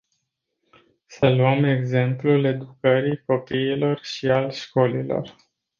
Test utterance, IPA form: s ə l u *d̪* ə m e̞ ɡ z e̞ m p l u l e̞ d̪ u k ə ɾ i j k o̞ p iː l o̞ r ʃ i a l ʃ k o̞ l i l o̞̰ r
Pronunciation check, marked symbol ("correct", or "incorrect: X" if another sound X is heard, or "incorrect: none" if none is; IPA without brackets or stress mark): incorrect: none